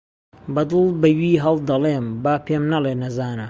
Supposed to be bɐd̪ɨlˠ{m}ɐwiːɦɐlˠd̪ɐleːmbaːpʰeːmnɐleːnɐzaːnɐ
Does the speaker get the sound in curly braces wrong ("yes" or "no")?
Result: yes